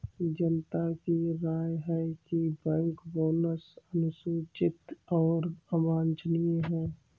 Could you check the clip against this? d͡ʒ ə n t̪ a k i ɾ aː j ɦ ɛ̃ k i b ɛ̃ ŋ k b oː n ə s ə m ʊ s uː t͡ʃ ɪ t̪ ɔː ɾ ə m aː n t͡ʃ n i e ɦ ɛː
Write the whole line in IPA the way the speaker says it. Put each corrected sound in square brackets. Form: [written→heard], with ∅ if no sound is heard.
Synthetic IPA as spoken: d͡ʒ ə n t̪ a k i ɾ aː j ɦ [ɛ̃→ɛ] k i b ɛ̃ ŋ k b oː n ə s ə [m→n] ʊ s uː t͡ʃ ɪ t̪ ɔː ɾ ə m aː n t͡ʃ n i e ɦ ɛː